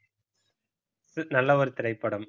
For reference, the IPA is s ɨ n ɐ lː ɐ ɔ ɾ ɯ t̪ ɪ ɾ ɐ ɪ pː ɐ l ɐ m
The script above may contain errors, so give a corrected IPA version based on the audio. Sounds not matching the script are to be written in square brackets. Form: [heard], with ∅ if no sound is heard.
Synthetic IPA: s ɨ n ɐ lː ɐ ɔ ɾ ɯ t̪ ɪ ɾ ɐ ɪ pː ɐ [ɽ] ɐ m